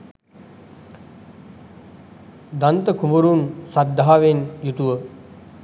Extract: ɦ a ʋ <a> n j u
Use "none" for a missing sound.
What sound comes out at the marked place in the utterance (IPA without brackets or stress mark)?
e